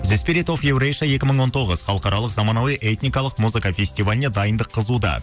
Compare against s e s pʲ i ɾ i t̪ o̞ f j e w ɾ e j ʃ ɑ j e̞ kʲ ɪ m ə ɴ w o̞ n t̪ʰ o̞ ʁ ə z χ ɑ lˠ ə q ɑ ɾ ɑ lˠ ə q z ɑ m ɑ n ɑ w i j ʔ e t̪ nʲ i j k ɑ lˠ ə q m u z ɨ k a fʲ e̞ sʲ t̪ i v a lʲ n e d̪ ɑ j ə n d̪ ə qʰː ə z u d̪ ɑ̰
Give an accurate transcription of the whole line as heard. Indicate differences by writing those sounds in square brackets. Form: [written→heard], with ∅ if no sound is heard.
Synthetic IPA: [s→z] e s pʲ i ɾ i t̪ o̞ f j e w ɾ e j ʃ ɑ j e̞ kʲ ɪ m ə ɴ w o̞ n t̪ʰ o̞ ʁ ə z χ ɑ lˠ ə q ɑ ɾ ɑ lˠ ə q z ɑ m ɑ n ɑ w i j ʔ e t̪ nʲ i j k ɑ lˠ ə q m u z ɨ k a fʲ e̞ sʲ t̪ i v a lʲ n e d̪ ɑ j ə n d̪ ə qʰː ə z u d̪ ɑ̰